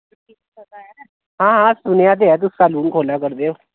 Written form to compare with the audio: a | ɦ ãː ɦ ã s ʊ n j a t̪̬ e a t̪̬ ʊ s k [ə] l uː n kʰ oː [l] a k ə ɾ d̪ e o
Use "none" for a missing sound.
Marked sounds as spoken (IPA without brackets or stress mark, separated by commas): a, l